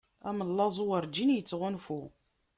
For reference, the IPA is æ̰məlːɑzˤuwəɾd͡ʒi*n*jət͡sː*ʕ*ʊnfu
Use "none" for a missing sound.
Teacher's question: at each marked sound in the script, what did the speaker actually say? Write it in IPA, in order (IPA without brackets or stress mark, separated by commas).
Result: n, ʁ